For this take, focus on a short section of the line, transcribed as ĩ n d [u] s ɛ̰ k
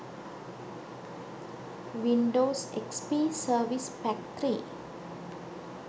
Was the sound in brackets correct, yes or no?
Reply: no